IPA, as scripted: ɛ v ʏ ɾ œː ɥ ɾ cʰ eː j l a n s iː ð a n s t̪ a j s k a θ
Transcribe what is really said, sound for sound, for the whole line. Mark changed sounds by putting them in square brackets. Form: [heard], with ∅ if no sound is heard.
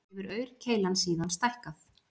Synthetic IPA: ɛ v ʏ ɾ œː ɥ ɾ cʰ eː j l a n s iː ð a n s t̪ a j [h] k a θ